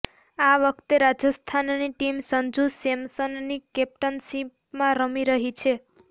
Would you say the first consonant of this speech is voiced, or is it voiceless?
voiced